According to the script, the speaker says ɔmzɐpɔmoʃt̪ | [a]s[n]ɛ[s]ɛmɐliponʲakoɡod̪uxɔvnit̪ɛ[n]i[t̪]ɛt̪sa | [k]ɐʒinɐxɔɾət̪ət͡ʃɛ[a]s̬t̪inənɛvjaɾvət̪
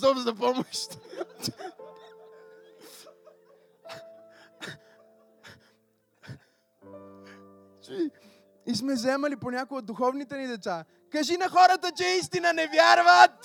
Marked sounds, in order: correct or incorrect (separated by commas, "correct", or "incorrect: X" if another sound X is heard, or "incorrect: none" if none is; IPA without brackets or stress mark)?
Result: incorrect: i, incorrect: m, incorrect: z, correct, incorrect: d̪, correct, incorrect: i